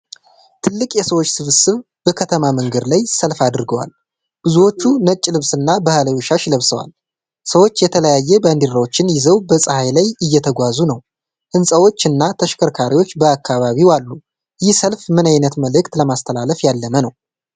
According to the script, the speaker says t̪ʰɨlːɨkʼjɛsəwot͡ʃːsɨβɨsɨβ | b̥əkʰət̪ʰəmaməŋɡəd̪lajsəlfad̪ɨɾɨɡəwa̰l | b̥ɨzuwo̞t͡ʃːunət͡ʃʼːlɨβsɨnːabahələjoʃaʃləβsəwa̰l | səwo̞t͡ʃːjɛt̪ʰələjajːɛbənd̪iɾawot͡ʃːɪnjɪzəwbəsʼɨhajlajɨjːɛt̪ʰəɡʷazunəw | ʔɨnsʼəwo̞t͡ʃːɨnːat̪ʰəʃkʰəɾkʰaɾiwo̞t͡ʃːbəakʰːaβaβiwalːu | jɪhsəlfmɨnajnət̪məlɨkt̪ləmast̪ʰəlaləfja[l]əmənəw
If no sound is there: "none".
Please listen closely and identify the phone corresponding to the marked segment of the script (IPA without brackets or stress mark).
lː